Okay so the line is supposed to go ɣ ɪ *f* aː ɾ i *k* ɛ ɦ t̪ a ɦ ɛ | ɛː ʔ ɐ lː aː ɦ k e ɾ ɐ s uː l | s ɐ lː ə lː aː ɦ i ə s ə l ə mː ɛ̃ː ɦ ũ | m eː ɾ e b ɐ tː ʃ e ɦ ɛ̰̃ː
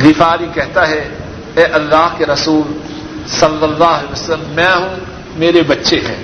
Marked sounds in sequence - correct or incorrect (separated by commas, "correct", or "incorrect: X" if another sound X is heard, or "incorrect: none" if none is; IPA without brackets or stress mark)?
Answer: correct, correct